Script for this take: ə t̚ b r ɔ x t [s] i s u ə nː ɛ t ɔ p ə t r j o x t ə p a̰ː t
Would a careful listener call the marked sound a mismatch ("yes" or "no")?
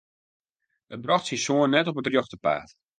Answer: no